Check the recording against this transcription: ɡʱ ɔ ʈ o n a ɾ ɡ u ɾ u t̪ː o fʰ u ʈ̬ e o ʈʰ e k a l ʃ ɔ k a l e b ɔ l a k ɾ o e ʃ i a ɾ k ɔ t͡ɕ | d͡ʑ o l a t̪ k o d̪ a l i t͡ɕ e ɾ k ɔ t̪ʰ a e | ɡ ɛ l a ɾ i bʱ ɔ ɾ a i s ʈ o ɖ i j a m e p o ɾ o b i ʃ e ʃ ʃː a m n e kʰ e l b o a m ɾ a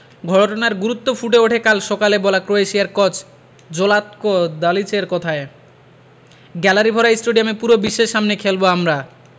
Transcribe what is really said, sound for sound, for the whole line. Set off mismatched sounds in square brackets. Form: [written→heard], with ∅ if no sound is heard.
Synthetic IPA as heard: ɡʱ ɔ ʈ o n a ɾ ɡ u ɾ u t̪ː o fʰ u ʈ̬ e o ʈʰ e k a l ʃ ɔ k a l e b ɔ l a k ɾ o e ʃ i a ɾ k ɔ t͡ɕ | d͡ʑ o l a t̪ k o d̪ a l i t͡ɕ e ɾ k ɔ t̪ʰ a e | ɡ ɛ l a ɾ i bʱ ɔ ɾ a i s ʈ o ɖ i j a m e p [o→u] ɾ o b i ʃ e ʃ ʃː a m n e kʰ e l b o a m ɾ a